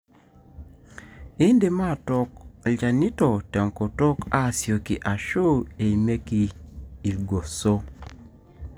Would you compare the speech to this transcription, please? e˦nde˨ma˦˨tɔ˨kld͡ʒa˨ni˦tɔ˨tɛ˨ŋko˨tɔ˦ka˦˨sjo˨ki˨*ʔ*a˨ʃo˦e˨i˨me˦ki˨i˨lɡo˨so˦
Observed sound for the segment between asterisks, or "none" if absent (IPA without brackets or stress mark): ʔ